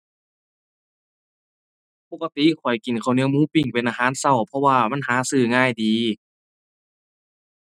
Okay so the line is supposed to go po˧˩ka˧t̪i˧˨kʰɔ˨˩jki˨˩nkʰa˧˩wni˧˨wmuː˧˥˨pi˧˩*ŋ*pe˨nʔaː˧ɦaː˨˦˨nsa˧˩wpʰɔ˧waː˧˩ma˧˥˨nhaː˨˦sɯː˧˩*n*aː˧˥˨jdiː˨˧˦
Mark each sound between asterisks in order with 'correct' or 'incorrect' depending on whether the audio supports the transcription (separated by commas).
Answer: correct, incorrect